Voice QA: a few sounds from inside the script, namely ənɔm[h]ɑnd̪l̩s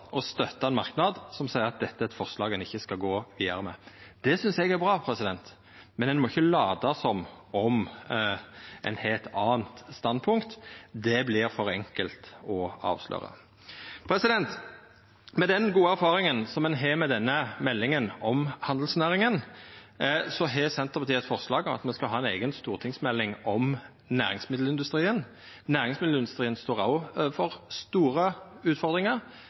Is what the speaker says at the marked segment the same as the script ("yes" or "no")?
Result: yes